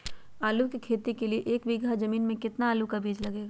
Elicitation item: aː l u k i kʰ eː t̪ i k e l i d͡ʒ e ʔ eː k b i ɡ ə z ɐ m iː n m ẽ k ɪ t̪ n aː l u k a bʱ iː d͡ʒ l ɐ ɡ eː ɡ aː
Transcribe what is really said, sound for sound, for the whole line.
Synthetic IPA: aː l u k i kʰ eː t̪ i k e l i e ʔ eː k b i ɡ a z ɐ m iː n m ẽ k ɪ t̪ n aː l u k a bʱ iː d͡ʒ l ɐ ɡ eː ɡ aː